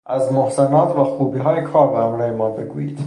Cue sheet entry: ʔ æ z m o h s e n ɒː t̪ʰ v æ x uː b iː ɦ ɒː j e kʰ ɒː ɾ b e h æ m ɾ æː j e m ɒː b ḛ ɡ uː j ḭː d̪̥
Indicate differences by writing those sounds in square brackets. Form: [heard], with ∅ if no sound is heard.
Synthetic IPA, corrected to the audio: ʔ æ z m o h s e n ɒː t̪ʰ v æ x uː b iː ɦ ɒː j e kʰ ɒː ɾ b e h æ m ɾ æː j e m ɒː b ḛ ɡ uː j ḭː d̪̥